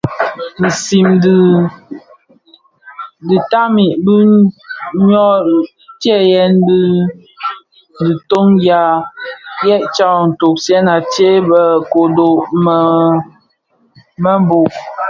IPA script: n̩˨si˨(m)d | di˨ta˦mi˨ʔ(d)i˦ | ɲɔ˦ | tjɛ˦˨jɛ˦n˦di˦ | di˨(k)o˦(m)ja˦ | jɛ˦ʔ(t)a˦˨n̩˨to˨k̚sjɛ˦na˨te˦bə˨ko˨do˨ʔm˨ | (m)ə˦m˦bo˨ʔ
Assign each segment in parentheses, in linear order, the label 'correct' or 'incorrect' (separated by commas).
correct, incorrect, incorrect, incorrect, incorrect, correct